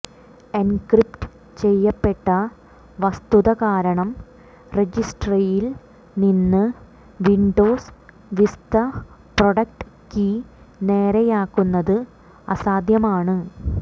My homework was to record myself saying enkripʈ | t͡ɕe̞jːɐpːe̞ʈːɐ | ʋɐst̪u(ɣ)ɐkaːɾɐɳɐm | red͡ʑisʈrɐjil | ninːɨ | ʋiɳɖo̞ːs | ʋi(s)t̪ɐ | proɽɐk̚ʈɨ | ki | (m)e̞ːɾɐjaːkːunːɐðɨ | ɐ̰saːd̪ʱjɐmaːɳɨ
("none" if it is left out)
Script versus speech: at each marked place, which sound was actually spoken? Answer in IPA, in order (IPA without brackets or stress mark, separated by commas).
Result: ð, s, n